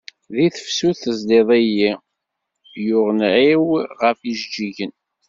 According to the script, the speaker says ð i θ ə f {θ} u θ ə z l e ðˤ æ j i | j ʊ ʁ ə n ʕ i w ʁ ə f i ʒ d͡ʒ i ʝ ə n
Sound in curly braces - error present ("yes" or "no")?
yes